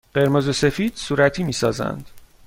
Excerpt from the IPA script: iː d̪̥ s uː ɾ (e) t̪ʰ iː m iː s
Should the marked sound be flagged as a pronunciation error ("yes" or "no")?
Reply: yes